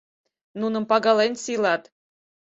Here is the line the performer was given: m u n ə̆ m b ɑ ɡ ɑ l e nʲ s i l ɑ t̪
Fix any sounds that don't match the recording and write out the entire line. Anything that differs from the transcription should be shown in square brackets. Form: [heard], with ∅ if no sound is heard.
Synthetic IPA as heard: [n] u n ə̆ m [p] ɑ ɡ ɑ l e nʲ s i l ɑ t̪